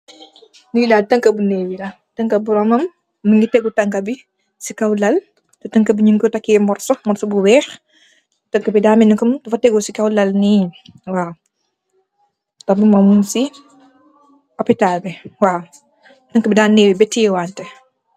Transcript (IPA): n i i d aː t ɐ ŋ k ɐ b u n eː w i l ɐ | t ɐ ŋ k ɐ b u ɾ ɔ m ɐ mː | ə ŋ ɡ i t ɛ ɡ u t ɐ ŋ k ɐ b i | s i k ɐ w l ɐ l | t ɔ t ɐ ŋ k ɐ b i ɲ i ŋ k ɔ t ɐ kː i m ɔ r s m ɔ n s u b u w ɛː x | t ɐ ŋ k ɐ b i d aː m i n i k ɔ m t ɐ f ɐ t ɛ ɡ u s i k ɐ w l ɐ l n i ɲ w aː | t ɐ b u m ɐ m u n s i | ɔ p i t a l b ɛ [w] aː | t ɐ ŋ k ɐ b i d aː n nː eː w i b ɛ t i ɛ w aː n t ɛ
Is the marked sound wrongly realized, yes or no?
no